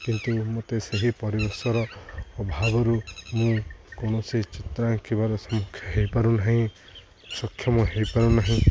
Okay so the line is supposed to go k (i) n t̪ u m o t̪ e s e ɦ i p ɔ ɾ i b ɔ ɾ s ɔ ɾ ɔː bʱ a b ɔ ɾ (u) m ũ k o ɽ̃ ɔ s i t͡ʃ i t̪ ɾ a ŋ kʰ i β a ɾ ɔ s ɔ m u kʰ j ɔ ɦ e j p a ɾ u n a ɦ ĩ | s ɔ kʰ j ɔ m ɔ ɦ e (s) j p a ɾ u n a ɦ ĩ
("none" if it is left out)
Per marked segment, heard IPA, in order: i, u, none

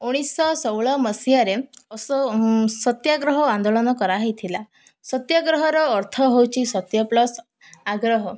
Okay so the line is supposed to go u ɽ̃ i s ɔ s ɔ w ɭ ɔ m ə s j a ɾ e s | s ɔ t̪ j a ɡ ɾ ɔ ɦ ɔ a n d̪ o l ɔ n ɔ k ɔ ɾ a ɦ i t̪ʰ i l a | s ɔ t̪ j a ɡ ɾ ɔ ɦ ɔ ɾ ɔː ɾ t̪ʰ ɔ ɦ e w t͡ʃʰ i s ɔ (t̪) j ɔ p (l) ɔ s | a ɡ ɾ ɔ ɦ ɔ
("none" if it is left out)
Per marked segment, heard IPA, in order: t̪, l

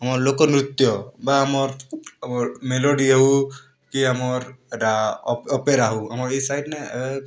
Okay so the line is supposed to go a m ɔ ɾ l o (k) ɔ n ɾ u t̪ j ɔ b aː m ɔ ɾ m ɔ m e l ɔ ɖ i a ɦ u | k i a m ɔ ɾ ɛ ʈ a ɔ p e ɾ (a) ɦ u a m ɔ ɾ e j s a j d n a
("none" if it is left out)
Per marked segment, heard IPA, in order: k, a

